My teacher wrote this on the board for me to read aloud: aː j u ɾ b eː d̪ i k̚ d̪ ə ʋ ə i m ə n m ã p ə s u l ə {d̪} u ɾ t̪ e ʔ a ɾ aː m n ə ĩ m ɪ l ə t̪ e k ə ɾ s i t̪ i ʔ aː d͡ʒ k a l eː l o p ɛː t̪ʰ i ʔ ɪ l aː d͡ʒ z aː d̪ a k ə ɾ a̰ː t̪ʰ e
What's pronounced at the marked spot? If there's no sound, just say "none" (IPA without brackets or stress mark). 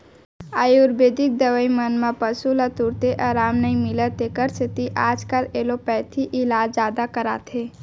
t̪